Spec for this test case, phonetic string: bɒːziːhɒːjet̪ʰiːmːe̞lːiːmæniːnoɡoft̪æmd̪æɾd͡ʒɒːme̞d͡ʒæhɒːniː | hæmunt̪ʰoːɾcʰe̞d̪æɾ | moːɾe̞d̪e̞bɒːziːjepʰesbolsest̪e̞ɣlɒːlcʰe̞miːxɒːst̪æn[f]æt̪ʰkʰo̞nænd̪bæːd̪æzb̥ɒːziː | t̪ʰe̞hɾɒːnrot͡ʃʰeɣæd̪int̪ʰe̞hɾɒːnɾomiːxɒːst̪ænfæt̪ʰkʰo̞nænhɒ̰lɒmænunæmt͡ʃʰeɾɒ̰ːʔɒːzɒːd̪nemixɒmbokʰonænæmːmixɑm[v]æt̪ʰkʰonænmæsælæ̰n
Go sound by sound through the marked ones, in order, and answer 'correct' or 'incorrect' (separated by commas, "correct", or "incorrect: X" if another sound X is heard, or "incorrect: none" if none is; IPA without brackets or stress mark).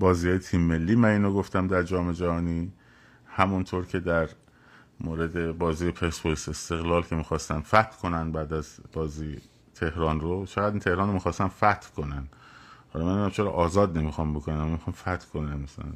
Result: correct, incorrect: f